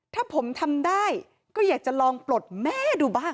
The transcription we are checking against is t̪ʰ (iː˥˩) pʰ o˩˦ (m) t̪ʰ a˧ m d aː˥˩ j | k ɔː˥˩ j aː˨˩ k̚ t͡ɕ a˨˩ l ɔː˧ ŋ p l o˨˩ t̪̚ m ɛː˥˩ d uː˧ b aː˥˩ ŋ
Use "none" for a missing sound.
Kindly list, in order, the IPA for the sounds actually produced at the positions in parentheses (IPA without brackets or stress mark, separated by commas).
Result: aː˥˩, m